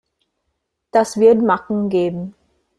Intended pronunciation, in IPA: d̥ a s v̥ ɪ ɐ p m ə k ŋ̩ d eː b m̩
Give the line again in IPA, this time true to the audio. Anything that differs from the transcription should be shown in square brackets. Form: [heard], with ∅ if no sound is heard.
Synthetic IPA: d̥ a s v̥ ɪ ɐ [t] m [a] k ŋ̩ [ɡ] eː b m̩